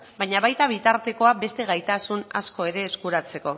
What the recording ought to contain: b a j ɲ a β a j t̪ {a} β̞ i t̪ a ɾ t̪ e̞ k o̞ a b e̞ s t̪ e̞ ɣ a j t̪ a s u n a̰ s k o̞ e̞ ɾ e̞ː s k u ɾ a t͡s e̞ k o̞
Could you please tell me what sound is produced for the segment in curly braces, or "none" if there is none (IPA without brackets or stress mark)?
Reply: a